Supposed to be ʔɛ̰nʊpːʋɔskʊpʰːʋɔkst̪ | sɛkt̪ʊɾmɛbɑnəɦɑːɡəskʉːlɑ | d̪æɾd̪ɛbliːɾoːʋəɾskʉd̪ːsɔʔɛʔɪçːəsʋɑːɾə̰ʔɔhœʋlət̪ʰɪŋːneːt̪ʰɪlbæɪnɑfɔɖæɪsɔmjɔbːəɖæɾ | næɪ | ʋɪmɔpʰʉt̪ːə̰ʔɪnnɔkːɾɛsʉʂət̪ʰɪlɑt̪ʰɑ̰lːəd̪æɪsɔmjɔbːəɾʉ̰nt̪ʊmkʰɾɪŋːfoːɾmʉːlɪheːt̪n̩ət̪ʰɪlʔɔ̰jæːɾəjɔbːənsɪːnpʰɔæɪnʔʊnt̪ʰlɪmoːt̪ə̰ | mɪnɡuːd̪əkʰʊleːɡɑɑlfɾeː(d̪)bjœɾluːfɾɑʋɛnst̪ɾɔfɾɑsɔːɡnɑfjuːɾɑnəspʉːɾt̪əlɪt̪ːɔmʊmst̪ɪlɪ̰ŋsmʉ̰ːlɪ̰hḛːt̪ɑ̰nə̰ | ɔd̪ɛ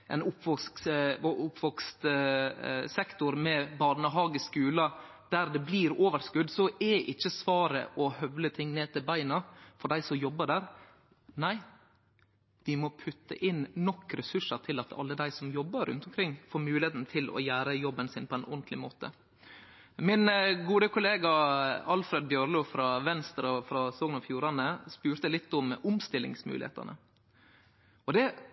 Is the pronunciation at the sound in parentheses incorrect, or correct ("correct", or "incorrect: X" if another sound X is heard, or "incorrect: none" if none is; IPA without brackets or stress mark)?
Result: correct